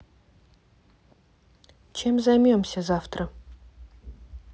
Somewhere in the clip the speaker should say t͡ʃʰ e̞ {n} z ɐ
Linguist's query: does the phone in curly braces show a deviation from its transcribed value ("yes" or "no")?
yes